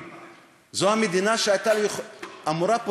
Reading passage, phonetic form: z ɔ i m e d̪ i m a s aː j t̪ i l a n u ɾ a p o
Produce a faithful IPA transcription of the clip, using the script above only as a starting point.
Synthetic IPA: z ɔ a m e d̪ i n a ʃ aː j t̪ a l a m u ɾ a p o